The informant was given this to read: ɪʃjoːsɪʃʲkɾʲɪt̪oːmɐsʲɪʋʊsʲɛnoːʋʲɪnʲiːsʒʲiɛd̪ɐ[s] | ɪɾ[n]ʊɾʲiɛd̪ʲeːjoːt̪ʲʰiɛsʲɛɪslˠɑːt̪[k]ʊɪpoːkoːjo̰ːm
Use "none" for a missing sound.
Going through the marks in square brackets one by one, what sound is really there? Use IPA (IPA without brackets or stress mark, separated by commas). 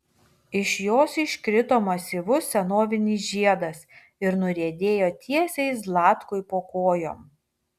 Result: s, n, k